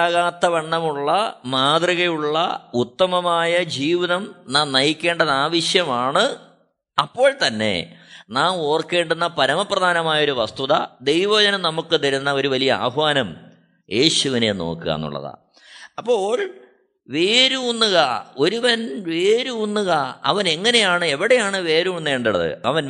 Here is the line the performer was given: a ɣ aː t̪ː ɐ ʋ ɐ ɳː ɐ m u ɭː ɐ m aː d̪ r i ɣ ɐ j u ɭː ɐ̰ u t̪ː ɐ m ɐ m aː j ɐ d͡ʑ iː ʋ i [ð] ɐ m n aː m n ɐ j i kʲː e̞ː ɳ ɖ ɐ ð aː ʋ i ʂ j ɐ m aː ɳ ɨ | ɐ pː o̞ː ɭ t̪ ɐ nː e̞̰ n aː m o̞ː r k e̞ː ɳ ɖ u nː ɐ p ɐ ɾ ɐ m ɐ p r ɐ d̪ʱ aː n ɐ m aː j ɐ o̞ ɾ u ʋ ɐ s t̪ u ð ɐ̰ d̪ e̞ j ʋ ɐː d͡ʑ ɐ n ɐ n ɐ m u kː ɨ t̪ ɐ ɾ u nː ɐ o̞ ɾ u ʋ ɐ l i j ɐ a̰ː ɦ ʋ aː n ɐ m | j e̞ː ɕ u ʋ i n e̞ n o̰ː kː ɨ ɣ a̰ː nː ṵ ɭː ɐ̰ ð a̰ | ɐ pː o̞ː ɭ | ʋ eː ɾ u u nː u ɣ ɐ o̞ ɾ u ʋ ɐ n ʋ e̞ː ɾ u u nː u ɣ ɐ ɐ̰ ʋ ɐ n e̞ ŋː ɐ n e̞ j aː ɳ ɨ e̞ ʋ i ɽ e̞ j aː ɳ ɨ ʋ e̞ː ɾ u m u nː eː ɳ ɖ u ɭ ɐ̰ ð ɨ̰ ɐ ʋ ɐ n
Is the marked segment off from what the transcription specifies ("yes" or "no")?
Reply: no